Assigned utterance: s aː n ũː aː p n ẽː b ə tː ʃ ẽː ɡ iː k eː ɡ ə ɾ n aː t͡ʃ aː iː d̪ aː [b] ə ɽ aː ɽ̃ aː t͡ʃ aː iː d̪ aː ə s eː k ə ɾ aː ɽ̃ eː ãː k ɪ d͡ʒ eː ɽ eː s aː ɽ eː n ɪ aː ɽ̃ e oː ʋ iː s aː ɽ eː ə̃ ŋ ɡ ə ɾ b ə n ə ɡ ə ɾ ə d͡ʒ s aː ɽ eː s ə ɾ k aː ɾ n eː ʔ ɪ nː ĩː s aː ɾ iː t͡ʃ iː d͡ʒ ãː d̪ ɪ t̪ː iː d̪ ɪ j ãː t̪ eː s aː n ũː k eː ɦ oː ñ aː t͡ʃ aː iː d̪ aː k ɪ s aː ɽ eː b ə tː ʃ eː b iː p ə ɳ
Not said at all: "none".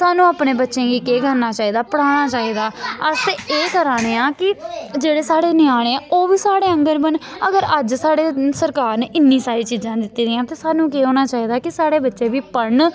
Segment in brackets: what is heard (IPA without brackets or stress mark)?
p